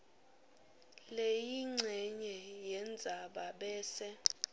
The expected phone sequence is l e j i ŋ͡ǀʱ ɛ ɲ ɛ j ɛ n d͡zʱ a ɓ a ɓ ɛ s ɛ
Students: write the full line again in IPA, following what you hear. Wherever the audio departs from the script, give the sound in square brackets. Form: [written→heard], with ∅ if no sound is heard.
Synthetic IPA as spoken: l e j i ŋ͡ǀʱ ɛ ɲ ɛ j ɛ n d͡zʱ a ɓ a ɓ [ɛ→ɛː] s ɛ